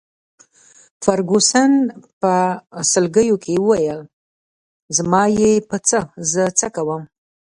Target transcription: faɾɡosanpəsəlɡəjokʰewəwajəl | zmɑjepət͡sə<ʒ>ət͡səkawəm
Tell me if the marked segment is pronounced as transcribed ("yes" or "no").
no